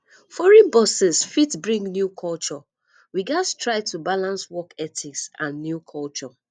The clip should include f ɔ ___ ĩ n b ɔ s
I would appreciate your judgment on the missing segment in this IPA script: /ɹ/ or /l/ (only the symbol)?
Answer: ɹ